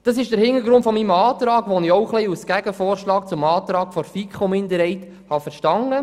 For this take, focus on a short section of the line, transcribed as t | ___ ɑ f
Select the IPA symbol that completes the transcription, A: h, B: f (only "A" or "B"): A